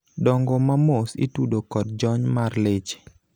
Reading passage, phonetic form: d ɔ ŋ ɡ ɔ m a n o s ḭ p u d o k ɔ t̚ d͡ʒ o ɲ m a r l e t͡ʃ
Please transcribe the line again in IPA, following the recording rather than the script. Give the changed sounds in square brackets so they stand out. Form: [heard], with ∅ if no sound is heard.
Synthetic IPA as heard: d ɔ ŋ ɡ ɔ m a [m] o s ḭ [t] u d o k ɔ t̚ d͡ʒ [ɔ] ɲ m a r l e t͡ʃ